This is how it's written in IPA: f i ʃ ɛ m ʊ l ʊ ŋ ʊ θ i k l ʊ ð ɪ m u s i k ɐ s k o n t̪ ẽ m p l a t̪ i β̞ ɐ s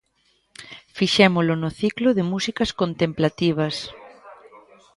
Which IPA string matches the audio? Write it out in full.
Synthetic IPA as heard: f i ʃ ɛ m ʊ l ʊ n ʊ θ i k l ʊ ð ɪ m u s i k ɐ s k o n t̪ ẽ m p l a t̪ i β̞ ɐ s